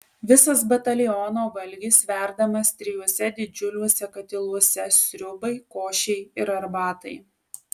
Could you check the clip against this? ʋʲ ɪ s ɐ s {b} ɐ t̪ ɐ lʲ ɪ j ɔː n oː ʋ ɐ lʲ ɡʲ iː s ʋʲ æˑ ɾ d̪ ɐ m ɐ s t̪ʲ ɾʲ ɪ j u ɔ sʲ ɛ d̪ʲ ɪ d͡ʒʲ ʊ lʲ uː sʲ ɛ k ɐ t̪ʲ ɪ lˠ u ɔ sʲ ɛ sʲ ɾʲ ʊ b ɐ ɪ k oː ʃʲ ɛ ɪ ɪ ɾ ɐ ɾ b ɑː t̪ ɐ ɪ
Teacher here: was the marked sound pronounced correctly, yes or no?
yes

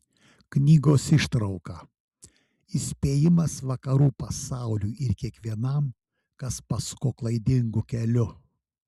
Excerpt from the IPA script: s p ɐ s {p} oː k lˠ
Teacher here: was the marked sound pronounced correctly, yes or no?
no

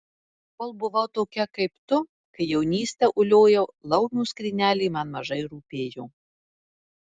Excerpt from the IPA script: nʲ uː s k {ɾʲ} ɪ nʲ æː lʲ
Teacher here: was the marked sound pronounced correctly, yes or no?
yes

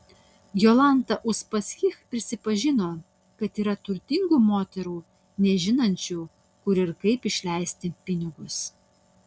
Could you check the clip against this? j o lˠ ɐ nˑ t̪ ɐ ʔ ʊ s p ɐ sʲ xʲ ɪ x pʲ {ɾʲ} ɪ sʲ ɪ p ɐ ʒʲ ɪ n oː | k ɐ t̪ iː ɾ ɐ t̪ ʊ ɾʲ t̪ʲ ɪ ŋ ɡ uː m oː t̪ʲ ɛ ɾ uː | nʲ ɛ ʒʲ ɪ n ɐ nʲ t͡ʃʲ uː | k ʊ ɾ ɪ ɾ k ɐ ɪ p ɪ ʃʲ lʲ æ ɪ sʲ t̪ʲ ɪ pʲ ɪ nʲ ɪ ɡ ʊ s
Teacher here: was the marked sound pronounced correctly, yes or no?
yes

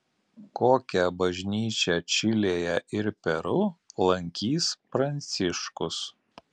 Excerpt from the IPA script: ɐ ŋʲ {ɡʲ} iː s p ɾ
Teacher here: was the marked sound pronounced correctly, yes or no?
no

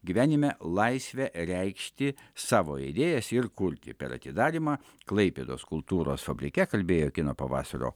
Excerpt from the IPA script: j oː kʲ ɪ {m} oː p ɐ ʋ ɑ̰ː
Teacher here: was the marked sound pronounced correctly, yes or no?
no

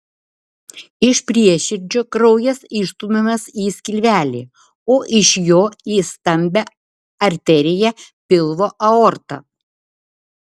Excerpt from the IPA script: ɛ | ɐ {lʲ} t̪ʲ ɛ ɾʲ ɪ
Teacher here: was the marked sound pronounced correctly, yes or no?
no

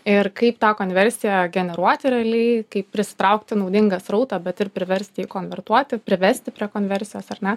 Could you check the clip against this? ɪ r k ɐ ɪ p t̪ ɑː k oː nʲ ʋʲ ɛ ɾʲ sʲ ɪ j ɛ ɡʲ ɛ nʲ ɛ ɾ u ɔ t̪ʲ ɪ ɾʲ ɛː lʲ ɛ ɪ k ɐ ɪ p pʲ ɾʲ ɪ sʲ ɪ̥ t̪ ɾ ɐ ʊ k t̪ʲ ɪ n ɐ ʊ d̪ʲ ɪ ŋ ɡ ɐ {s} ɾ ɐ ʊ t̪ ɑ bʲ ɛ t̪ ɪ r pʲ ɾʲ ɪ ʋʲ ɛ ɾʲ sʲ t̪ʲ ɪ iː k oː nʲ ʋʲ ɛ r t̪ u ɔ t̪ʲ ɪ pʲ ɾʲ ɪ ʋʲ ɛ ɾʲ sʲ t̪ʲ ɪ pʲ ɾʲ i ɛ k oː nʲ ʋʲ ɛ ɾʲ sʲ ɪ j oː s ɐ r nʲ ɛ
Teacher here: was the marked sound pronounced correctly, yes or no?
yes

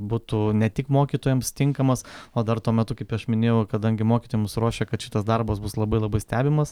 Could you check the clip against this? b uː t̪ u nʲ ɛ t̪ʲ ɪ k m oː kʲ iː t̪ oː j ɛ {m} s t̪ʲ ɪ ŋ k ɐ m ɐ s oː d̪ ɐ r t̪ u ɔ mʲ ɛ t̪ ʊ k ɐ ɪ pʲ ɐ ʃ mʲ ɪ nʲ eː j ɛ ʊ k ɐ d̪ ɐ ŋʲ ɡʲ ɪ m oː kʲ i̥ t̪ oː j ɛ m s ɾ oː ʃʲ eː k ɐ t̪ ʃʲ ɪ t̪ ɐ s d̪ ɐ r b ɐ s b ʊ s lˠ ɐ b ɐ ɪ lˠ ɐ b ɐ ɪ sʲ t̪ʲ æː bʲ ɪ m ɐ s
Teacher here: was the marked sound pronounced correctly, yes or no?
yes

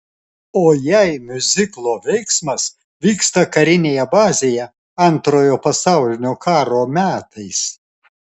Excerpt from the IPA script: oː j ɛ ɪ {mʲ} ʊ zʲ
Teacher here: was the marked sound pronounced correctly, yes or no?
yes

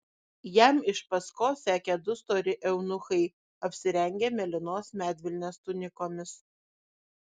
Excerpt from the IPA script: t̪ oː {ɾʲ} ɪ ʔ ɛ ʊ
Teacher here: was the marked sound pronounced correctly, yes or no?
yes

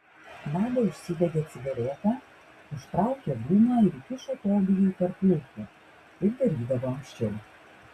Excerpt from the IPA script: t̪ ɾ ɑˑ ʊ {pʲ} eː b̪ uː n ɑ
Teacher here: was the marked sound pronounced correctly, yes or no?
no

